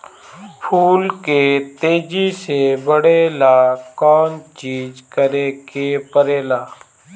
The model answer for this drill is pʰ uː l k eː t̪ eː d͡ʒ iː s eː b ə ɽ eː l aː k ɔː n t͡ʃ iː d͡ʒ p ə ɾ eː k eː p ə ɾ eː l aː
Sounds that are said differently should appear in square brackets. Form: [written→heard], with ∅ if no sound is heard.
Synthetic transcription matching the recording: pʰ uː l k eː t̪ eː d͡ʒ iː s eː b ə ɽ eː l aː k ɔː n t͡ʃ iː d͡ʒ [p→k] ə ɾ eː k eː p ə ɾ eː l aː